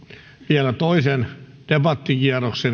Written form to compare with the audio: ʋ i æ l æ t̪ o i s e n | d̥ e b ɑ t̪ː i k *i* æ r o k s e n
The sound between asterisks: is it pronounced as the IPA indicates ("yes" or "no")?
yes